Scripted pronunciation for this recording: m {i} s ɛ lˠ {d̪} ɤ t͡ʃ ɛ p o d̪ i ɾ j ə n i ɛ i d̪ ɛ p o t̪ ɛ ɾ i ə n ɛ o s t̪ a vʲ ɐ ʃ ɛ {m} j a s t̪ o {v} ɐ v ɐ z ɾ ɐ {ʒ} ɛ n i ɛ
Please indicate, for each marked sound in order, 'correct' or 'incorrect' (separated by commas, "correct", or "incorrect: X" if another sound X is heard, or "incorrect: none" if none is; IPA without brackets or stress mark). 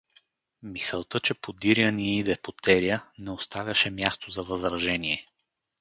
correct, incorrect: t̪, correct, incorrect: z, correct